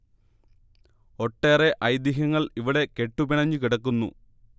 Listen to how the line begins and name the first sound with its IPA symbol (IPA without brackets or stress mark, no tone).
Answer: o̞